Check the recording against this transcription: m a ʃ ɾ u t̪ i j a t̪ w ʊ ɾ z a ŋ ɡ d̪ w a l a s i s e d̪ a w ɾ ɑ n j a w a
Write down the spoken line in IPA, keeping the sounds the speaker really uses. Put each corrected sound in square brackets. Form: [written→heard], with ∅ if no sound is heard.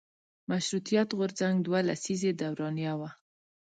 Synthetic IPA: m a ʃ ɾ u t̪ i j a t̪ [w→ɣ] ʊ ɾ z a ŋ ɡ d̪ w a l a s i [s→z] e d̪ a w ɾ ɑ n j a w a

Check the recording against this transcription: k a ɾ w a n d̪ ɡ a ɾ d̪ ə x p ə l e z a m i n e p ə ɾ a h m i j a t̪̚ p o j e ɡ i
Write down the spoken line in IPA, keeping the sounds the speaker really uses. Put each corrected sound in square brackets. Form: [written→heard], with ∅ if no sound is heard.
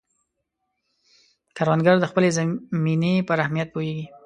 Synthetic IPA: k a ɾ w a n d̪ ɡ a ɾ d̪ ə x p ə l e z a m i n e p ə ɾ a h m i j a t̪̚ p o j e ɡ i

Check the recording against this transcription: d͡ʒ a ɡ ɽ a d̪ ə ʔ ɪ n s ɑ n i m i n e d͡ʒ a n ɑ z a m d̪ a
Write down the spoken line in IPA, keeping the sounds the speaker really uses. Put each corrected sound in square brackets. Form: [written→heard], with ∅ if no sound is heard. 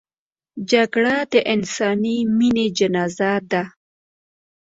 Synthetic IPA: d͡ʒ a ɡ ɽ a d̪ ə ʔ ɪ n s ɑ n i m i n e d͡ʒ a n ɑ z a [m→∅] d̪ a

